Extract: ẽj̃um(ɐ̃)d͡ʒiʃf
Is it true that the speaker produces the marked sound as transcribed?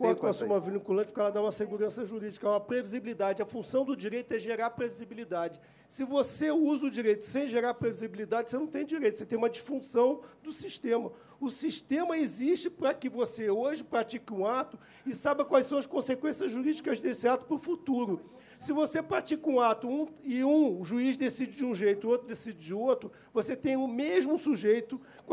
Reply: no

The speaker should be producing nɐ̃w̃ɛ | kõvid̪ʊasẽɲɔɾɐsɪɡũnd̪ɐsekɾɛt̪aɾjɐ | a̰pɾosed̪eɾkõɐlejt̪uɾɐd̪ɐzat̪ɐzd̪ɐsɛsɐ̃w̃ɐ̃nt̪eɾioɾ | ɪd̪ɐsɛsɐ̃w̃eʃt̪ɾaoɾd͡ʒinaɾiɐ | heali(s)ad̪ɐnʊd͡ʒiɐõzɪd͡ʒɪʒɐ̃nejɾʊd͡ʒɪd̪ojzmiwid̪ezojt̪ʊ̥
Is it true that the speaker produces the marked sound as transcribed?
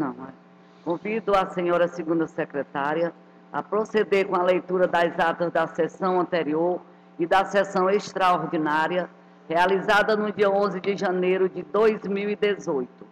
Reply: no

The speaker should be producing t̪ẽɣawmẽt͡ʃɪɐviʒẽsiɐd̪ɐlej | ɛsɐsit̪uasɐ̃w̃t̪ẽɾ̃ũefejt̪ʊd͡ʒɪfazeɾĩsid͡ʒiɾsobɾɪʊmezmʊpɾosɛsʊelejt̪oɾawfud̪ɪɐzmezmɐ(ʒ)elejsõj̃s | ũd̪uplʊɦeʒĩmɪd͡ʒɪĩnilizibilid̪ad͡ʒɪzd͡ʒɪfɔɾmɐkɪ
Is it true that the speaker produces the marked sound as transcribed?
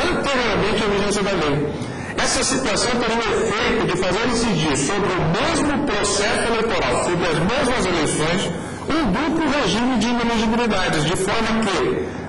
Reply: no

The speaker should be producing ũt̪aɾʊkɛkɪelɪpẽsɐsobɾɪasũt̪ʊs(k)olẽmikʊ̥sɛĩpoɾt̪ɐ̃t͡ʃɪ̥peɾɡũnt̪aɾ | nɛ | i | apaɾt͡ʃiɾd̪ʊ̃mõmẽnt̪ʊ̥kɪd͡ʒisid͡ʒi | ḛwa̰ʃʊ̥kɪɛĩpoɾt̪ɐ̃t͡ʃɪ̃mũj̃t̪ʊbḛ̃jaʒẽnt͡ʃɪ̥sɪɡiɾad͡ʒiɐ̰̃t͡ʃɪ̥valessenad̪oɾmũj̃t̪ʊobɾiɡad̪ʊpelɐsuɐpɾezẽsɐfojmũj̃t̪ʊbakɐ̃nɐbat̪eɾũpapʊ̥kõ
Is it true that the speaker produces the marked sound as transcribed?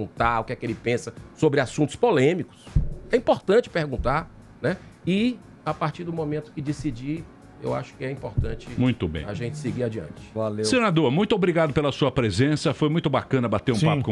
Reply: no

